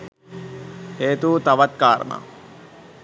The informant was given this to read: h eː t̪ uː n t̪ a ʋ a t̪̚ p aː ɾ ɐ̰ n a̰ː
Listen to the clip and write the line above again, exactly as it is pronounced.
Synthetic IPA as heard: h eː t̪ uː t̪ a ʋ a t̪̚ k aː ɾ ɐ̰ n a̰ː